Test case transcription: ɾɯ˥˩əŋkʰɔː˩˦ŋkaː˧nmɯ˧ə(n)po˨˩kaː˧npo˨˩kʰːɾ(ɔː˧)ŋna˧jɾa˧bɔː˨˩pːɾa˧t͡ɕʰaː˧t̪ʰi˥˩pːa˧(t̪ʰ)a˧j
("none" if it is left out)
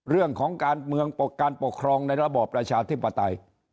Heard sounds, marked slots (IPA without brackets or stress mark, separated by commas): ŋ, ɔː˧, t̪